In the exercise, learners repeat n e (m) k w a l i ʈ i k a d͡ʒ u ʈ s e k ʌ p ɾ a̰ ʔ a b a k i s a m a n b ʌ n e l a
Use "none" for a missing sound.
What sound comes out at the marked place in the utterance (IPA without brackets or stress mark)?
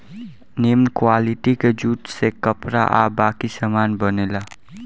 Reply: m